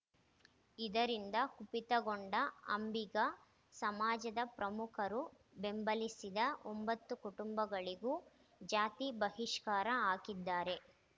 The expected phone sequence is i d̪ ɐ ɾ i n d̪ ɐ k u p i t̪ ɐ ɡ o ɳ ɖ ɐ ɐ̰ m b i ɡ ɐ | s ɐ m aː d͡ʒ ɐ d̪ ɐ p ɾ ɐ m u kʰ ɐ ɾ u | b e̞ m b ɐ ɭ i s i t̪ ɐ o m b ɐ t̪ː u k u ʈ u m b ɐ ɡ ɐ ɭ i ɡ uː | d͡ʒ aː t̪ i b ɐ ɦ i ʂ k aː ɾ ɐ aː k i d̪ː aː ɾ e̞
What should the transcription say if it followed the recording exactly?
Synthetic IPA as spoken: i d̪ ɐ ɾ i n d̪ ɐ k u p i t̪ ɐ ɡ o ɳ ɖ ɐ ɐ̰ m b i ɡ ɐ | s ɐ m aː d͡ʒ ɐ d̪ ɐ p ɾ ɐ m u kʰ ɐ ɾ u | b e̞ m b ɐ l i s i d̪ ɐ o m b ɐ t̪ː u k u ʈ u m b ɐ ɡ ɐ ɭ i ɡ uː | d͡ʒ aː t̪ i b ɐ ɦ i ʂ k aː ɾ ɐ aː k i d̪ː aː ɾ e̞